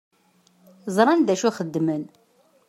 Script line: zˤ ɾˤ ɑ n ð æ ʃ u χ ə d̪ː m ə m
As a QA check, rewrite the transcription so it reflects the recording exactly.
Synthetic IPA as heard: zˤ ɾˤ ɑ n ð æ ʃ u χ ə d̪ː m ə n